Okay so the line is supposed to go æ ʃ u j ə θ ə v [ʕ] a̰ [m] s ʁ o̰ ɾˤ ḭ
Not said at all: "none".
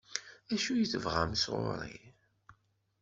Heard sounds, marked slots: ʁ, m

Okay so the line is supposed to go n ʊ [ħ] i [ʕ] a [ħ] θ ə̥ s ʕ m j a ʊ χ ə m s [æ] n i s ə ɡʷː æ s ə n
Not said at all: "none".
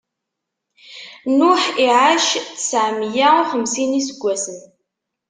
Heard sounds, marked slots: ħ, ʕ, ʃ, i

